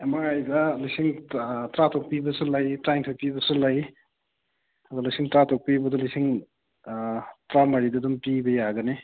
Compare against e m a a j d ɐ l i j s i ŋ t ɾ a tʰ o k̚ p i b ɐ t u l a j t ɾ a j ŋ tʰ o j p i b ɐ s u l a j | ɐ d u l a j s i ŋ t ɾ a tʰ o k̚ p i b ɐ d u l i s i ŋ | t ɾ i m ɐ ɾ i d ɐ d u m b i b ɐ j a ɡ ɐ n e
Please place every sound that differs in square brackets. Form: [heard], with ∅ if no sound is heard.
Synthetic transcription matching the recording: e m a a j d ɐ l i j s i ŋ t ɾ a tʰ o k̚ p i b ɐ [s] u l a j t ɾ a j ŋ tʰ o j p i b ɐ s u l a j | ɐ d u l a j s i ŋ t ɾ a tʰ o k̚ p i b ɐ d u l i s i ŋ | t ɾ [a] m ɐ ɾ i d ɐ d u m [p] i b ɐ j a ɡ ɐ n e